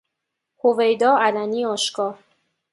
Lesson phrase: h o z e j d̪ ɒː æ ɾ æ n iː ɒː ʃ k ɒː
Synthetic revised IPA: h o v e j d̪ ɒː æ l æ n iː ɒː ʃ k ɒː